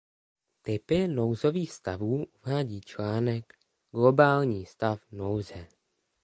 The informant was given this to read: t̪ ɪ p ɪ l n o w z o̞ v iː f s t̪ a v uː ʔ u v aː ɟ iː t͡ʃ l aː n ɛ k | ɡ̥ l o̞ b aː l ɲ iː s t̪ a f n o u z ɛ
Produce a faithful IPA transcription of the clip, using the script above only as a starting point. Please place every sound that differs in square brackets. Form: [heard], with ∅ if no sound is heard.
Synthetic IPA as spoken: t̪ ɪ p ɪ [∅] n o w z o̞ v iː [x] s t̪ a v uː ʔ u v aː ɟ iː t͡ʃ l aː n ɛ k | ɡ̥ l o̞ b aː l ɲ iː s t̪ a f n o [w] z ɛ